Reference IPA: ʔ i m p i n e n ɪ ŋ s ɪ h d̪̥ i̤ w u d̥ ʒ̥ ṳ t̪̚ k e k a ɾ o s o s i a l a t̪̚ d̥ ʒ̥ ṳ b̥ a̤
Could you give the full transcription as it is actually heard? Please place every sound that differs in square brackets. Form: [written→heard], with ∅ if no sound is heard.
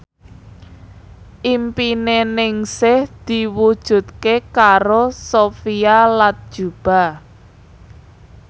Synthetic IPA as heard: ʔ i m p i n e n ɪ ŋ s ɪ h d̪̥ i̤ w u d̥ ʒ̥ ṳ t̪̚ k e k a ɾ o s o [s→f] i a l a t̪̚ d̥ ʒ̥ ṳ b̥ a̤